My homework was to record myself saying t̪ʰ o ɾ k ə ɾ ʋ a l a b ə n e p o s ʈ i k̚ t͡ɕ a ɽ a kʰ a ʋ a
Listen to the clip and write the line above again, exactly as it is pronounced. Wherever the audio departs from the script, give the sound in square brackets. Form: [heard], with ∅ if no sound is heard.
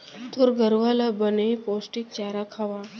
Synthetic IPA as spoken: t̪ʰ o ɾ [ɡ] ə ɾ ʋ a l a b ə n e p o s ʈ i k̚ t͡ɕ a [ɾ] a kʰ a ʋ a